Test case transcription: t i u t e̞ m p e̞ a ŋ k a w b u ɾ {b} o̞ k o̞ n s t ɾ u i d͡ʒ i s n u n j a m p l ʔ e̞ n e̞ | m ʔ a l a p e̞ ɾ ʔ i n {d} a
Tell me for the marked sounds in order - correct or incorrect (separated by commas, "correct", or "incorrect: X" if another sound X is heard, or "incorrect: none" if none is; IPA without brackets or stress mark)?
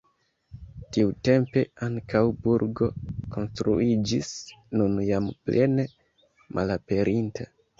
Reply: incorrect: ɡ, incorrect: t